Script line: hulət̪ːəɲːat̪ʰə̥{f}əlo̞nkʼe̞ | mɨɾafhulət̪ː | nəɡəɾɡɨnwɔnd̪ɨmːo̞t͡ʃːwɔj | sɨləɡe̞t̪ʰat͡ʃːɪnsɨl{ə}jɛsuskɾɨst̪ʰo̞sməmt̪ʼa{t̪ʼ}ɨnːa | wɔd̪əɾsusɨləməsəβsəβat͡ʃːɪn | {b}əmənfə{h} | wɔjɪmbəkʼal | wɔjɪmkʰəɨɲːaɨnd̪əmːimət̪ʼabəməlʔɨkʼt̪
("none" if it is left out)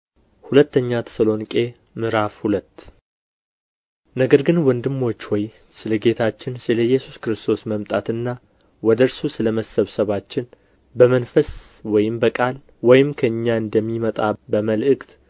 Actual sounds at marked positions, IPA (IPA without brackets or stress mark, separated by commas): s, ə, t̪, b, s